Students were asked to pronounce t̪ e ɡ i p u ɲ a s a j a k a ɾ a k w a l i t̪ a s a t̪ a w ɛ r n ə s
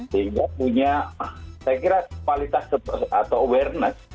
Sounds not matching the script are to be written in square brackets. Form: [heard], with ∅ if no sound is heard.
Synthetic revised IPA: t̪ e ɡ [a] p u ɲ a s a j a k [i] ɾ a k w a l i t̪ a s a t̪ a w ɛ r n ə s

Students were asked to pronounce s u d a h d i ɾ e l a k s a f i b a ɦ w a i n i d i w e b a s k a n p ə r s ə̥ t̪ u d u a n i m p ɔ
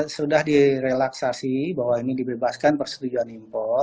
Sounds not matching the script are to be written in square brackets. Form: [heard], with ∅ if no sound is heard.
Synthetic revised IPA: s u d a h d i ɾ e l a k s a [s] i b a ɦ w a i n i d i [b] e b a s k a n p ə r s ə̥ t̪ u [d͡ʒ] u a n i m p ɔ

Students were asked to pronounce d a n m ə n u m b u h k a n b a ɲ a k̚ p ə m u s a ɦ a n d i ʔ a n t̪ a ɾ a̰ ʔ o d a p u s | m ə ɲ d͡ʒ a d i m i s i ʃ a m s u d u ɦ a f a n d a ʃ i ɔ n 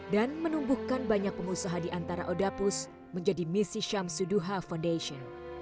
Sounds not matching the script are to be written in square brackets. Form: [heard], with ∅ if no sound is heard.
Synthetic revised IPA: d a n m ə n u m b u h k a n b a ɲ a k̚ p ə m u s a ɦ a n d i ʔ a n t̪ a ɾ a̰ ʔ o d a p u s | m ə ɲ d͡ʒ a d i m i s i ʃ a m s u d u ɦ a f a n d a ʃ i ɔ n

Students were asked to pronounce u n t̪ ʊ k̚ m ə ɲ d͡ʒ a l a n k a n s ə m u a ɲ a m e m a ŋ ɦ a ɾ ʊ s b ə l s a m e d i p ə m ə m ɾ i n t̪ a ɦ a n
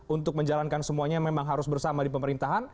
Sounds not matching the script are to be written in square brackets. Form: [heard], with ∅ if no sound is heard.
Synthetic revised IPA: u n t̪ ʊ k̚ m ə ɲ d͡ʒ a l a n k a n s ə m u a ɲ a m e m a ŋ ɦ a ɾ ʊ s b ə [r] s a m [a] d i p ə m ə [∅] ɾ i n t̪ a ɦ a n

